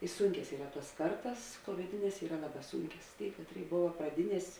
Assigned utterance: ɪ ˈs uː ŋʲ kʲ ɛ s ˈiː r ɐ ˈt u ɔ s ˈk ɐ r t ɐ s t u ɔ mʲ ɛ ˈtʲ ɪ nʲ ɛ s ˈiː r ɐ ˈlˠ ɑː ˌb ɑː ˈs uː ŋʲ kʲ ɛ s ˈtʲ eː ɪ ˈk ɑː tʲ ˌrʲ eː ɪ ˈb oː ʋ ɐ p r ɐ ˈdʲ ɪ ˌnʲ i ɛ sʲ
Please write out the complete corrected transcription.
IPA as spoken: ɪ ˈs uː ŋʲ kʲ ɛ s ˈiː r ɐ ˈt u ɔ s ˈk ɐ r t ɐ s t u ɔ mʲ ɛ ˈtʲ ɪ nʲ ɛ s ˈiː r ɐ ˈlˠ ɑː ˌb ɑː ˈs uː ŋʲ kʲ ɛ s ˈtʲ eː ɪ ˈk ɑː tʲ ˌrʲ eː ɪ ˈb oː ʋ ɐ p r ɐ ˈdʲ ɪ ˌnʲ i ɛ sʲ